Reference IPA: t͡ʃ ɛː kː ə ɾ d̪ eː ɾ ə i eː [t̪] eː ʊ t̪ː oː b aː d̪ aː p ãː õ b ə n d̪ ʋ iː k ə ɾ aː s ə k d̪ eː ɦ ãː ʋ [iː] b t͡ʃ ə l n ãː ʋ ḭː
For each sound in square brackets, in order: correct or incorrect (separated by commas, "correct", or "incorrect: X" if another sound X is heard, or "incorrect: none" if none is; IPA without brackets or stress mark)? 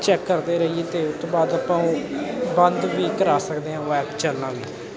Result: correct, incorrect: ɛː